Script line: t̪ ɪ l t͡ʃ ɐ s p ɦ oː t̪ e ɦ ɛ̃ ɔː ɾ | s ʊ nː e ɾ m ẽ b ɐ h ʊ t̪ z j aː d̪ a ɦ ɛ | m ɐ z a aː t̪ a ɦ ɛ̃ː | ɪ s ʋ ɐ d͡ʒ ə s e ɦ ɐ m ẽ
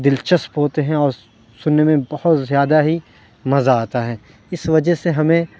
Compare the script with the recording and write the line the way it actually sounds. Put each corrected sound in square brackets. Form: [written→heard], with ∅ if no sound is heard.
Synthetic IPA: [t̪→d̪] ɪ l t͡ʃ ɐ s p ɦ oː t̪ e ɦ ɛ̃ ɔː ɾ | s ʊ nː e [ɾ→∅] m ẽ b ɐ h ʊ t̪ z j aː d̪ a ɦ [ɛ→i] | m ɐ z a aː t̪ a ɦ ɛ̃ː | ɪ s ʋ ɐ d͡ʒ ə s e ɦ ɐ m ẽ